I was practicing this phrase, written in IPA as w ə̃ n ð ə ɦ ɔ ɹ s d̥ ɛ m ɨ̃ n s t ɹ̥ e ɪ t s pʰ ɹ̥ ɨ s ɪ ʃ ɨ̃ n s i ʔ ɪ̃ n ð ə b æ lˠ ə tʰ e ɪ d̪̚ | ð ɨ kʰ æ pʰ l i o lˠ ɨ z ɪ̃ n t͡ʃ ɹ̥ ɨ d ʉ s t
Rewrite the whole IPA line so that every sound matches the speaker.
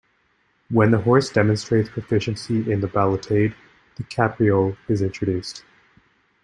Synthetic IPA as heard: w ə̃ n ð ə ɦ ɔ ɹ s d̥ ɛ m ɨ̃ n s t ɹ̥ e ɪ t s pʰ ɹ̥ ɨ f ɪ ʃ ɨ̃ n s i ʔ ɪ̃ n ð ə b æ lˠ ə tʰ e ɪ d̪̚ | ð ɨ kʰ æ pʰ ɹ i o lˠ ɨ z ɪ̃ n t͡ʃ ɹ̥ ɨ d ʉ s t